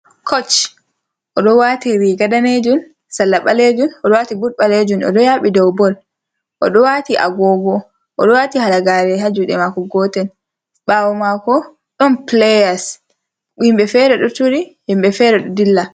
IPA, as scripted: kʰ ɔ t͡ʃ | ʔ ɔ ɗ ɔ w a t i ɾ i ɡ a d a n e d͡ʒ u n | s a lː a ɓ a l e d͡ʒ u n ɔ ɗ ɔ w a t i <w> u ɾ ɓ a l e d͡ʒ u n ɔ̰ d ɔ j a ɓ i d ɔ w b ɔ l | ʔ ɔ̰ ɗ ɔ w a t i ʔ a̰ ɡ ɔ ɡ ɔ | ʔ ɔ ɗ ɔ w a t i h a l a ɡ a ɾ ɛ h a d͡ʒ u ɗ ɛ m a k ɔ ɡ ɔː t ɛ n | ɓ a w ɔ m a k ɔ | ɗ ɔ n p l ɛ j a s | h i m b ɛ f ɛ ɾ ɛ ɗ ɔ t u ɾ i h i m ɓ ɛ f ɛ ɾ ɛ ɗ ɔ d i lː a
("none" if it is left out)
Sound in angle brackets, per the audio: b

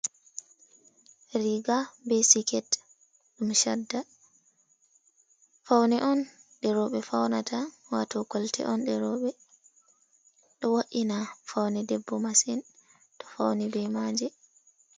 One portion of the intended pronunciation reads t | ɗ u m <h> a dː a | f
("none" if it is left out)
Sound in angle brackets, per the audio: ʃ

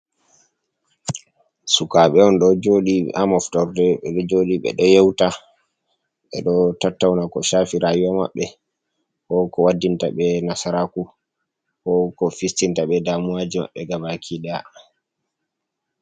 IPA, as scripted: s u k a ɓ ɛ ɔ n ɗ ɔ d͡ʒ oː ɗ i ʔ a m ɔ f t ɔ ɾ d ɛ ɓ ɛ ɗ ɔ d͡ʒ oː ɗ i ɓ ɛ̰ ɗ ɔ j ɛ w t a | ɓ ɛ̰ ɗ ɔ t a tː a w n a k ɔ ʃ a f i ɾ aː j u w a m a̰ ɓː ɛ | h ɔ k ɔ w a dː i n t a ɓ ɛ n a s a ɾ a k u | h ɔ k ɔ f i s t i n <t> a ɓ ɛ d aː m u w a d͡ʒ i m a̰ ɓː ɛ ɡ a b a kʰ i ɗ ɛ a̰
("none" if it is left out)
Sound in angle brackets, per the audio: t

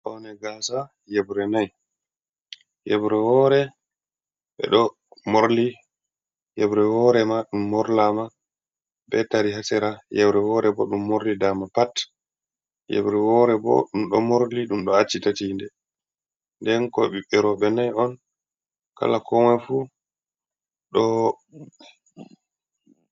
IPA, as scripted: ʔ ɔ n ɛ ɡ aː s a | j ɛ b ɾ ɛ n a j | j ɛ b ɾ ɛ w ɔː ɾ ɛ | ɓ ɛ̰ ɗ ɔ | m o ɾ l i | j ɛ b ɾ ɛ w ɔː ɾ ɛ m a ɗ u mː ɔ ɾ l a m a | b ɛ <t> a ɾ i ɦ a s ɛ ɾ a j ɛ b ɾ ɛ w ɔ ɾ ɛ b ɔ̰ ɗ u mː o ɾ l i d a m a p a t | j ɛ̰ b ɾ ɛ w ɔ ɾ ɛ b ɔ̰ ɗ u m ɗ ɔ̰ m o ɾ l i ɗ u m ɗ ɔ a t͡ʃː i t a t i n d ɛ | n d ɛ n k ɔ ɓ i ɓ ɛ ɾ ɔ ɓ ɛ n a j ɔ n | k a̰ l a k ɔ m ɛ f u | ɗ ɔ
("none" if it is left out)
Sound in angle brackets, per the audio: t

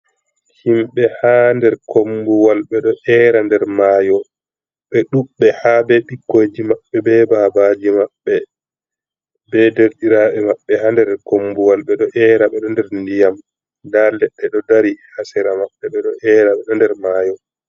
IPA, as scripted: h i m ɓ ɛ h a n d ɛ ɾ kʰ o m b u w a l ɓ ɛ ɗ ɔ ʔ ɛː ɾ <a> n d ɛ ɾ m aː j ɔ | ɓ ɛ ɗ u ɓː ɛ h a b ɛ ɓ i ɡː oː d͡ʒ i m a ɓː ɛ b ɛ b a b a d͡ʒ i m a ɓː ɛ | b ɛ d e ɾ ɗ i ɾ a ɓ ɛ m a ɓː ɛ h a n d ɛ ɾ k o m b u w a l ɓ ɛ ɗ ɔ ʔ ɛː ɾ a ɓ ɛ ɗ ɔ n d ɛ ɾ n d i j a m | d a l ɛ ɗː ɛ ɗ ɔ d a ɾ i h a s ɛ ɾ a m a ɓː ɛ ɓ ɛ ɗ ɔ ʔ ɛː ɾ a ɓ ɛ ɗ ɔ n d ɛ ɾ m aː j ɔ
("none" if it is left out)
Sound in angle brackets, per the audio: a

